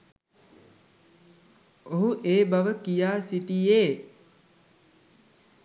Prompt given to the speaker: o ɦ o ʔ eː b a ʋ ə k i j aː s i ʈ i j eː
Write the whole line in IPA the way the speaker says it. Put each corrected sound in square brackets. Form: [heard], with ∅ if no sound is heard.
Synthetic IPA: o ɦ [u] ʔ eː b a ʋ ə k i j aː s i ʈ i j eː